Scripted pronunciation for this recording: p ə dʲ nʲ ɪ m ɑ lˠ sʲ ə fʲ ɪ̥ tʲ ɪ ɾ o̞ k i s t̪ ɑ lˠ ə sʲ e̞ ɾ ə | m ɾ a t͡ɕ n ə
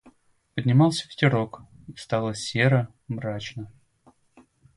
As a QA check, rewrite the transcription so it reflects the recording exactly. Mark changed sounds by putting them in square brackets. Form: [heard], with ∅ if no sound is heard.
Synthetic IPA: p ə dʲ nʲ ɪ m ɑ lˠ sʲ ə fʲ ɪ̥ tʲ ɪ ɾ o̞ k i s t̪ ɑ lˠ ə sʲ e̞ ɾ ə | m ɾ a t͡ɕ n ə